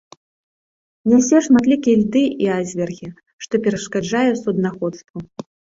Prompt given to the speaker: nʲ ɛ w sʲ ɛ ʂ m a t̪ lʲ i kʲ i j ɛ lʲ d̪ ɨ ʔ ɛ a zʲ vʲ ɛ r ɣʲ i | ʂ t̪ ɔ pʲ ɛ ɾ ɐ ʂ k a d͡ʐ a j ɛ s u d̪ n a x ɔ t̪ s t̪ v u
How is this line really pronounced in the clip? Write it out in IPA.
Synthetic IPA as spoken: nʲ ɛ w sʲ ɛ ʂ m a t̪ lʲ i kʲ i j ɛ lʲ d̪ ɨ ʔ i a zʲ vʲ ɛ r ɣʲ i | ʂ t̪ ɔ pʲ ɛ ɾ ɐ ʂ k a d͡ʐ a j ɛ s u d̪ n a x ɔ t̪ s t̪ v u